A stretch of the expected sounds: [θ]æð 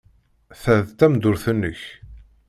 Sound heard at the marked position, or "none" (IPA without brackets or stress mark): θ